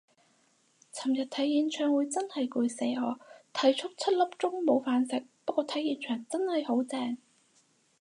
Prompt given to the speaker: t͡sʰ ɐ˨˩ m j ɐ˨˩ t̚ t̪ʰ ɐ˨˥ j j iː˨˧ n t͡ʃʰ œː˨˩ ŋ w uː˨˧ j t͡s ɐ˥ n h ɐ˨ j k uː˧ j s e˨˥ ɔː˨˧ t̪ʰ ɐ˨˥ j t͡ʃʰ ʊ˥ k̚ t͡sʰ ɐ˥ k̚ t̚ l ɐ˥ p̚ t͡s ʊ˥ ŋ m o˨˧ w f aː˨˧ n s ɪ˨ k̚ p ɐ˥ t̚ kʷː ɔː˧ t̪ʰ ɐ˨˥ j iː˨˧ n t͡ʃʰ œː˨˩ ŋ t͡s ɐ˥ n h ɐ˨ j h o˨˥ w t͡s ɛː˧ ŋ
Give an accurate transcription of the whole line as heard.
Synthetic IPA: t͡sʰ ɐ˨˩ m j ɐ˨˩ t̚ t̪ʰ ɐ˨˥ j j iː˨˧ n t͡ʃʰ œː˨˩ ŋ w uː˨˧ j t͡s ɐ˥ n h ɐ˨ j k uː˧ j s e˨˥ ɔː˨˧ t̪ʰ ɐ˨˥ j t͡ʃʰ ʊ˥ k̚ t͡sʰ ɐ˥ t̚ l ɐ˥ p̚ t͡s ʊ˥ ŋ m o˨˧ w f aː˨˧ n s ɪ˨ k̚ p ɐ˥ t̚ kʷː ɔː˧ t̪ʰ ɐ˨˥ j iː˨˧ n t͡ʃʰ œː˨˩ ŋ t͡s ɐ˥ n h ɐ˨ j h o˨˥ w t͡s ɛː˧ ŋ